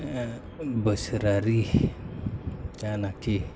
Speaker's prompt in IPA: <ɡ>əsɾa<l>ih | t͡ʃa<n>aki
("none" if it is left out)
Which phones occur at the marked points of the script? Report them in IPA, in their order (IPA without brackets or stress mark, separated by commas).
b, ɾ, n